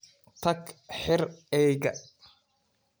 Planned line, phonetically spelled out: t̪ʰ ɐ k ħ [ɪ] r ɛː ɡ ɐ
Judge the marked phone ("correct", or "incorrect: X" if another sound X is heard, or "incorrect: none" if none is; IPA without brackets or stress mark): correct